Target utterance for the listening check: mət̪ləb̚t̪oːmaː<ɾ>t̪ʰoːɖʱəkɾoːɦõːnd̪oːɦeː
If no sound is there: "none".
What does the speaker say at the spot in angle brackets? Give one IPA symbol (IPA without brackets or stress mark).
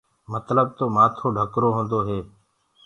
none